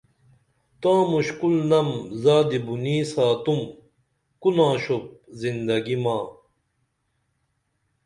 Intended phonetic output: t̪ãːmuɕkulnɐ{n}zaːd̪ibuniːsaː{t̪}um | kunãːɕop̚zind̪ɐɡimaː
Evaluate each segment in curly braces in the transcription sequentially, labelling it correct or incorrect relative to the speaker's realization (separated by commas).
incorrect, correct